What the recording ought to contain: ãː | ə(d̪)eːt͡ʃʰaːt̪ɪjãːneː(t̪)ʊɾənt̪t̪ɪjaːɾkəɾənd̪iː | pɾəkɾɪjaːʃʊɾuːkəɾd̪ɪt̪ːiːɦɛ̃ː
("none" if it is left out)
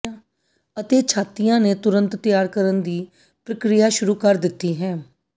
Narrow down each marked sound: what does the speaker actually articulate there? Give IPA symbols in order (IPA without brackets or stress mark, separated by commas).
t̪, t̪